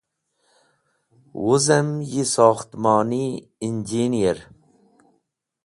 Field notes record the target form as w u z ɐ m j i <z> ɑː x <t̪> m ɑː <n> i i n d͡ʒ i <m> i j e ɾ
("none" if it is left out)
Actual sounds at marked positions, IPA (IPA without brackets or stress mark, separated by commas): s, t̪, n, n